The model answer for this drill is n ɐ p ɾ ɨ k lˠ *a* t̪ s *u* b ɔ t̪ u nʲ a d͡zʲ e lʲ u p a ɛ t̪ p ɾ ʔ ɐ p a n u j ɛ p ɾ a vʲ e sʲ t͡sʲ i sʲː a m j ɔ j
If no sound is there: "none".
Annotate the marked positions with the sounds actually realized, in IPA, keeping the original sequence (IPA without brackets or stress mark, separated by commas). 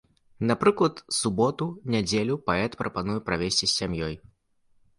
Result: ɐ, u